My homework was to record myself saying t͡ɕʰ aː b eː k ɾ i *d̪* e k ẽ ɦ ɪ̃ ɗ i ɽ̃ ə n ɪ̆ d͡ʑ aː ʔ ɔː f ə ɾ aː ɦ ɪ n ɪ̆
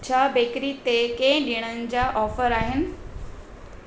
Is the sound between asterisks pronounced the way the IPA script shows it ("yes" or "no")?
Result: no